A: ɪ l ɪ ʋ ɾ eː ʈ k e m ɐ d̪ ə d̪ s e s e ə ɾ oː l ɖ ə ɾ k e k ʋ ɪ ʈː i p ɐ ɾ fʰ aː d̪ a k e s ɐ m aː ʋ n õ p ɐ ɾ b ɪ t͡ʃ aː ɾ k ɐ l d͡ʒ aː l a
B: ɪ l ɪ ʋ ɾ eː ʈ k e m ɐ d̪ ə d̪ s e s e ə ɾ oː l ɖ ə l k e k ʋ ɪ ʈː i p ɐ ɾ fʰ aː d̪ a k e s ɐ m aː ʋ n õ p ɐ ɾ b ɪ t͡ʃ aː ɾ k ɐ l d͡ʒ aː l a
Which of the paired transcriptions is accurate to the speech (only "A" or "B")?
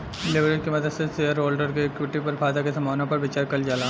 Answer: A